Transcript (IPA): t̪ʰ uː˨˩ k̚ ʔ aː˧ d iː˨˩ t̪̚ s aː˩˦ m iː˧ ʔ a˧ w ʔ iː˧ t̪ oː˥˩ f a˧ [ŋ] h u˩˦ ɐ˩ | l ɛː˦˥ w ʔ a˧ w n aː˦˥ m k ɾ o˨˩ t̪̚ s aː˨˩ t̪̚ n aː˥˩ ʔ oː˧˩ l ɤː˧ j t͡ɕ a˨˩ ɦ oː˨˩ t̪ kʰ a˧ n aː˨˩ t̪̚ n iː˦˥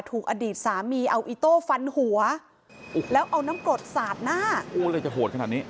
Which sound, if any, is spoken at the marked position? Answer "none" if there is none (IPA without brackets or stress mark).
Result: n